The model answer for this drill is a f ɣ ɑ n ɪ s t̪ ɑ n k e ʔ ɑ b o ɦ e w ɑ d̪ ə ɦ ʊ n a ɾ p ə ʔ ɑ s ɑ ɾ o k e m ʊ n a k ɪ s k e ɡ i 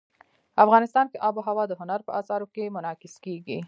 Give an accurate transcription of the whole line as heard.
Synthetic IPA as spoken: a f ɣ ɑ n ɪ s t̪ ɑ n k e ʔ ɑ b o ɦ a w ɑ d̪ ə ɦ ʊ n a ɾ p ə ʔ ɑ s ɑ ɾ o k e m ʊ n ɑ k ɪ s k e ɡ i